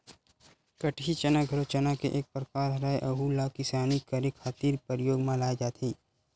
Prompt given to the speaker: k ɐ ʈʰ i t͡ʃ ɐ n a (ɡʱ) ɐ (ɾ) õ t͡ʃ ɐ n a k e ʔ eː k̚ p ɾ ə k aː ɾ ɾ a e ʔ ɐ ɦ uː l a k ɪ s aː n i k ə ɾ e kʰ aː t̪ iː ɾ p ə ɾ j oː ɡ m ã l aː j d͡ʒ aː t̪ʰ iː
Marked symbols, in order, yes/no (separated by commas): yes, yes